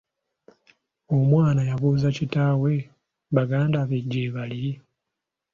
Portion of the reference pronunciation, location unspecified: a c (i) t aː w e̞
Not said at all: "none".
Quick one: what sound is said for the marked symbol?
i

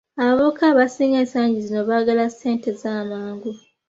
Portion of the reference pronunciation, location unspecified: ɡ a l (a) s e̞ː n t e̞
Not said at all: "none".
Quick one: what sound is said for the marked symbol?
a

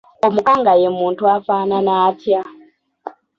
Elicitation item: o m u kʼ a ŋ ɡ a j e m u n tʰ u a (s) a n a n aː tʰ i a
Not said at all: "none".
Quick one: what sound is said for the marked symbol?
f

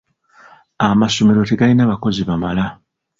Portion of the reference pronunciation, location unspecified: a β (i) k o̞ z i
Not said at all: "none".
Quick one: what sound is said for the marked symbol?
a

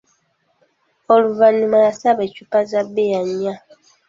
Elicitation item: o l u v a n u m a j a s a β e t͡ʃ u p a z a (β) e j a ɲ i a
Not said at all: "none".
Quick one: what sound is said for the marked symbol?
b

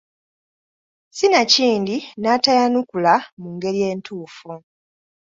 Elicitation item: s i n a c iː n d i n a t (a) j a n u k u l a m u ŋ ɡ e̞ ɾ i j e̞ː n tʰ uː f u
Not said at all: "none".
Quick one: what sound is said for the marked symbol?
a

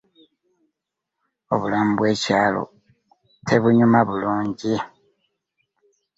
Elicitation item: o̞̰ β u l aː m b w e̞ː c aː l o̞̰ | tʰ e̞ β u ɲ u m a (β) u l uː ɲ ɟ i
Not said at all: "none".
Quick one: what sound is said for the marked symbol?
β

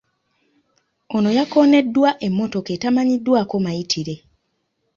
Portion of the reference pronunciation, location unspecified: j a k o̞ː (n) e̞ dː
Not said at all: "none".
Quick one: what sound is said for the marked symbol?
n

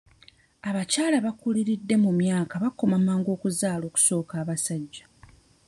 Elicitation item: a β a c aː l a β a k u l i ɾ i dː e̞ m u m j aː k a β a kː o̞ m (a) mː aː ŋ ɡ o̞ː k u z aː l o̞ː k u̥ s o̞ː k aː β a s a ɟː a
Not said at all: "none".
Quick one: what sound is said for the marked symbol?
a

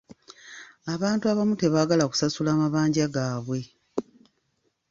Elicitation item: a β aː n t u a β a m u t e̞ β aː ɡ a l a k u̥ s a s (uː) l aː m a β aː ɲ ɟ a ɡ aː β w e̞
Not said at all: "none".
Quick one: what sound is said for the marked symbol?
u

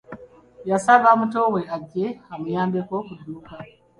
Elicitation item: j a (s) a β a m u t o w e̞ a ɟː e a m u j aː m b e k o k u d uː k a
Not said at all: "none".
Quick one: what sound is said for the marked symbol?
s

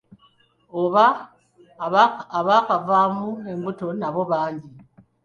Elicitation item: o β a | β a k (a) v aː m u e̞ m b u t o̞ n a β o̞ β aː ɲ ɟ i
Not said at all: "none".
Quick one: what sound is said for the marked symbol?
a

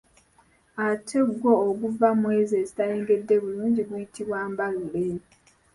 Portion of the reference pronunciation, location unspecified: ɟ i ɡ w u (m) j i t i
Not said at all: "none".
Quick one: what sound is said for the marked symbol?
none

